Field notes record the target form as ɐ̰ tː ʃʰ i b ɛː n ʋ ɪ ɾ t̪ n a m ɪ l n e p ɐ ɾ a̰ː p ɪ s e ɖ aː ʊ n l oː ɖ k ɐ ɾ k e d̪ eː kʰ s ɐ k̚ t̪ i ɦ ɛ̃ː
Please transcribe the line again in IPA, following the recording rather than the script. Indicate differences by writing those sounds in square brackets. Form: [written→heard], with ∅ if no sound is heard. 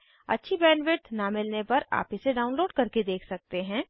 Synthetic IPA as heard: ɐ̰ tː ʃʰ i b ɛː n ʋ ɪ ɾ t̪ n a m ɪ l n e p ɐ ɾ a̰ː p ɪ s e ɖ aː ʊ n l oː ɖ k ɐ ɾ k e d̪ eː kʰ s ɐ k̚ t̪ [i→e] ɦ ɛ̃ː